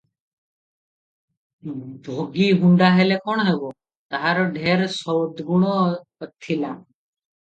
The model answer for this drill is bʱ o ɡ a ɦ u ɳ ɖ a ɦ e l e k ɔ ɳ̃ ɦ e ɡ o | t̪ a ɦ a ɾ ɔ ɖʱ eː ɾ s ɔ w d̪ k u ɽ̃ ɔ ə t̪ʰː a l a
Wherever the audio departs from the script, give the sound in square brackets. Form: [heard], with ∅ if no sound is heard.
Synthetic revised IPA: bʱ o ɡ [i] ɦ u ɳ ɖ a ɦ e l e k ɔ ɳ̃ ɦ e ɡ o | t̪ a ɦ a ɾ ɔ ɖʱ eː ɾ s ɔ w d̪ [ɡ] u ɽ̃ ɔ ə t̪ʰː [i] l a